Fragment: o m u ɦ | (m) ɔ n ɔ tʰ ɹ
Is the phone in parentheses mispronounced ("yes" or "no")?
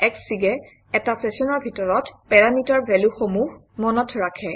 no